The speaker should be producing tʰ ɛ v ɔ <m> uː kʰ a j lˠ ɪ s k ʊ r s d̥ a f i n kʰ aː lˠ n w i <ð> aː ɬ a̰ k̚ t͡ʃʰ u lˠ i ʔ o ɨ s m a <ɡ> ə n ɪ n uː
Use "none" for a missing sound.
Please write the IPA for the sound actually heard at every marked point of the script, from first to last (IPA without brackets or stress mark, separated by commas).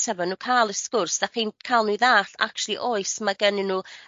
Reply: n, ð, ɡ